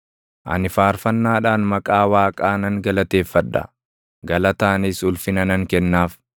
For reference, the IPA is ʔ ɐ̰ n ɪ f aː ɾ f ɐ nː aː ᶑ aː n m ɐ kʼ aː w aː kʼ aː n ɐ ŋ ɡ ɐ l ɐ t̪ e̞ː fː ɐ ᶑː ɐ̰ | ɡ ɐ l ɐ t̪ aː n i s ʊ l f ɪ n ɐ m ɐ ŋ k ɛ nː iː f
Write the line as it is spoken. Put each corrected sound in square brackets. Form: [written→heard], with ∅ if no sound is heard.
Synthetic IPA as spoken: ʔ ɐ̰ n ɪ f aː ɾ f ɐ nː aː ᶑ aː n m ɐ kʼ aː w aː kʼ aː n ɐ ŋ ɡ ɐ l ɐ t̪ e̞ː fː ɐ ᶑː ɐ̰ | ɡ ɐ l ɐ t̪ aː n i s ʊ l f ɪ n ɐ [m→n] ɐ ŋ k ɛ nː [iː→aː] f